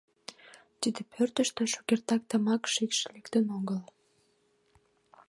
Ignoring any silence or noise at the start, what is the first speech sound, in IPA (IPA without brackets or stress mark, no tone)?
t̪